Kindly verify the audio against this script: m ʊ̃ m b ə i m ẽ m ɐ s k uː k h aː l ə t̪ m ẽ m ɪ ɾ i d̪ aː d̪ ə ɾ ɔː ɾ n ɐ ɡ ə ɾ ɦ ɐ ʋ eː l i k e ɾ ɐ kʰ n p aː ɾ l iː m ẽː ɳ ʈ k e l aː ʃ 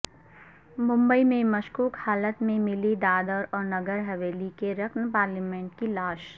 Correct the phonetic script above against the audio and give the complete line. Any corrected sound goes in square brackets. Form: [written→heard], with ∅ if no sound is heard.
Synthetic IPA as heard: m ʊ̃ m b ə i m ẽ m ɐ [s→ʃ] k uː k h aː l ə t̪ m ẽ m ɪ [ɾ→l] i d̪ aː d̪ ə ɾ ɔː ɾ n ɐ ɡ ə ɾ ɦ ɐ ʋ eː l i k e ɾ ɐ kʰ n p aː ɾ l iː m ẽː ɳ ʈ k [e→i] l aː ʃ